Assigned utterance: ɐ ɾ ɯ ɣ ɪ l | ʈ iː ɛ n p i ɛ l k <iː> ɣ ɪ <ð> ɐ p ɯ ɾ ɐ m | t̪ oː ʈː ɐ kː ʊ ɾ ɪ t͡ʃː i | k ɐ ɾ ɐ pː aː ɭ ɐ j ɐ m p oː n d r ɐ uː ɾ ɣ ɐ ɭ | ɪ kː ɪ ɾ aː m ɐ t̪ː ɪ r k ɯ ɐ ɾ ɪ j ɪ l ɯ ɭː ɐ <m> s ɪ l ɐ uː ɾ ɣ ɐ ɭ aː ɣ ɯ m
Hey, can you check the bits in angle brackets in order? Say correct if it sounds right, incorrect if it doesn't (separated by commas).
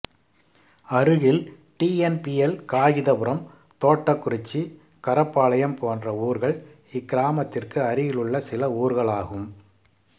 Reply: incorrect, correct, incorrect